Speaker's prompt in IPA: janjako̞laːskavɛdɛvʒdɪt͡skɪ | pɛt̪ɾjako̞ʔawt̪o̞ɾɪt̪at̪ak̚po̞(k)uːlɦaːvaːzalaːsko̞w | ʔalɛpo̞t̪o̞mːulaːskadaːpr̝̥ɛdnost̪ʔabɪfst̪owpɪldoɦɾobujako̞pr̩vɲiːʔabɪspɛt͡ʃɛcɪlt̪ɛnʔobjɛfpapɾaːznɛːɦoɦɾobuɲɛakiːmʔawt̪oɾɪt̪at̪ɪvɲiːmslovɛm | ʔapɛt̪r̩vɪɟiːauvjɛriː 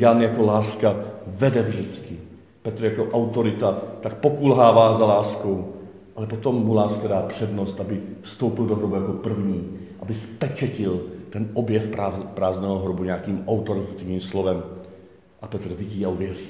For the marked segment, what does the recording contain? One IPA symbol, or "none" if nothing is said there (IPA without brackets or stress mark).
k